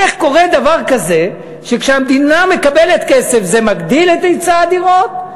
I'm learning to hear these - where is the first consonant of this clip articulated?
uvula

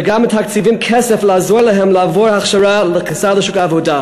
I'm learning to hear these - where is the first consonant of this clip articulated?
velum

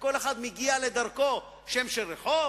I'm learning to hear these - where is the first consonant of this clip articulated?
velum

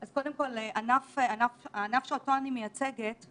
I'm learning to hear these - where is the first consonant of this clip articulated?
tongue tip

